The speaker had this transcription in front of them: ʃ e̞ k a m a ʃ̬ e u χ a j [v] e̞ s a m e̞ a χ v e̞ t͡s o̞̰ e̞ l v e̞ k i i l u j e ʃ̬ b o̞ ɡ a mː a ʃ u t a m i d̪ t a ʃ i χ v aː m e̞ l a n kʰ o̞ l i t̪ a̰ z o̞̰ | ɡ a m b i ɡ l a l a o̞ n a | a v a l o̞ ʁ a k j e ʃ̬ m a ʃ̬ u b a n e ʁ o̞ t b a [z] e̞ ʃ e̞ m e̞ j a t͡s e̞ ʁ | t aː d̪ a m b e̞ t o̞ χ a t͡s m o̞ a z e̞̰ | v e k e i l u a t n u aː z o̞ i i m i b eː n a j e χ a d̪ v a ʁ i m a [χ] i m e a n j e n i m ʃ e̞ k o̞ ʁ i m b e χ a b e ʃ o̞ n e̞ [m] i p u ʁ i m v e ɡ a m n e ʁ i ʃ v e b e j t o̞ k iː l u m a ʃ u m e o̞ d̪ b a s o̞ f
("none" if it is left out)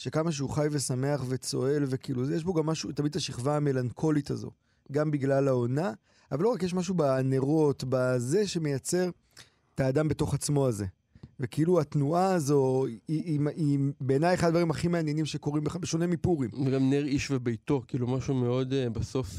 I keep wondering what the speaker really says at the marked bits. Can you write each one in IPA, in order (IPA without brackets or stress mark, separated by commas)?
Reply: v, z, χ, m